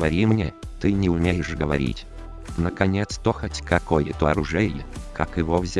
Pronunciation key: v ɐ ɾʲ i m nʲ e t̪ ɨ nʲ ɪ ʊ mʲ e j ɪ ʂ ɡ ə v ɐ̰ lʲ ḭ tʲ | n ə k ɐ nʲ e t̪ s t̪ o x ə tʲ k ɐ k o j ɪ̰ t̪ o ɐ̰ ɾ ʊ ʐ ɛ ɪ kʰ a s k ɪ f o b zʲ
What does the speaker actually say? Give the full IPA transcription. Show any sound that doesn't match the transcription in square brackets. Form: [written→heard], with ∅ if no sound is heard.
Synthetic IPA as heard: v ɐ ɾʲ i m nʲ e t̪ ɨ nʲ ɪ ʊ mʲ e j ɪ ʂ ɡ ə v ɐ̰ [lʲ→ɾʲ] ḭ tʲ | n ə k ɐ nʲ e t̪ s t̪ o x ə tʲ k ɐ k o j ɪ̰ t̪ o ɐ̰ ɾ ʊ ʐ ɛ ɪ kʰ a [s→∅] k ɪ [f→v] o [b→v] zʲ